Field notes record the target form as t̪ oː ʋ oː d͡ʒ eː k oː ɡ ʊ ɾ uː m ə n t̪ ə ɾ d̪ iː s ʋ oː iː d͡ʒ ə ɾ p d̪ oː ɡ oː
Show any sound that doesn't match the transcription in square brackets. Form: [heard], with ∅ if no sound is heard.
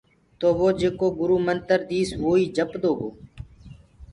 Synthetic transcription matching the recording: t̪ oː ʋ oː d͡ʒ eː k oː ɡ ʊ ɾ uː m ə n t̪ ə ɾ d̪ iː s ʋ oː iː d͡ʒ ə [∅] p d̪ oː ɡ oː